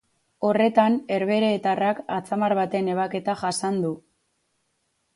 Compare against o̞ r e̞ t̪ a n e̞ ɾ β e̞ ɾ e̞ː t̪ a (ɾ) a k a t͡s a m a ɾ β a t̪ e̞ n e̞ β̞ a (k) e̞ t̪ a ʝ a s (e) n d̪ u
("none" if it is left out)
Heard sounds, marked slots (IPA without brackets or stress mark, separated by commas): r, k, a